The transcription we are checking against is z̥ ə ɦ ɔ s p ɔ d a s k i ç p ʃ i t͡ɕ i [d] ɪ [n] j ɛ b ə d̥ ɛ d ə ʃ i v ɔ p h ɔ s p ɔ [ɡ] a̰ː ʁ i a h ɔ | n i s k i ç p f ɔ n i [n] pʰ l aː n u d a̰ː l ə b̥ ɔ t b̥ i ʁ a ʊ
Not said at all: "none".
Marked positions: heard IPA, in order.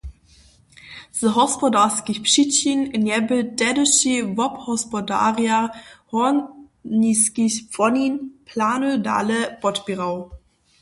n, n, d, n

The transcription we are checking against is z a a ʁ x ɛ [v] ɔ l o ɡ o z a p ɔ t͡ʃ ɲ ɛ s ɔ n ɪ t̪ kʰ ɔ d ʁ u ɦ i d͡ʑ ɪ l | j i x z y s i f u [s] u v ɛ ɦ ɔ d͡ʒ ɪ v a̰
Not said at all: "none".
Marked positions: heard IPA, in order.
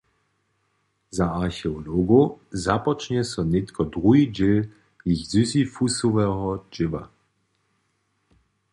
none, s

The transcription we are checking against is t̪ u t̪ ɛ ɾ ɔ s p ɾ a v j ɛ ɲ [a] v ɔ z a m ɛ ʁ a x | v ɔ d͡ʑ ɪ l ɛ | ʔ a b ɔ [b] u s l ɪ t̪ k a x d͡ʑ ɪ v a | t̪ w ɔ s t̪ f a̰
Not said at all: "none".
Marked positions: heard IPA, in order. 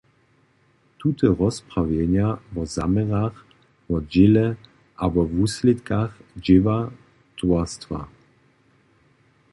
a, v

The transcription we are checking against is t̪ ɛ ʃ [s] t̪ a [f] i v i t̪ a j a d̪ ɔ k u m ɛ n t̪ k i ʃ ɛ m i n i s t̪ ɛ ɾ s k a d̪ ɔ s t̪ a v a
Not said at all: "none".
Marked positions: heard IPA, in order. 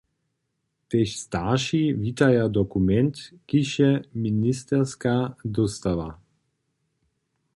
s, ʃ

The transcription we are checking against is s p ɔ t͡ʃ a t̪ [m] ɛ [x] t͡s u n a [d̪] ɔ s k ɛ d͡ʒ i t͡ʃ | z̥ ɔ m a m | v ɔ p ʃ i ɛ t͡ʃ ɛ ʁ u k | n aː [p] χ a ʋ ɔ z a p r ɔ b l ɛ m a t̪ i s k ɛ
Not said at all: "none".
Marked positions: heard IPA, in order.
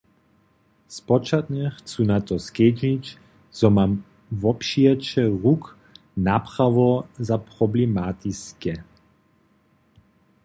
ɲ, x, t̪, p

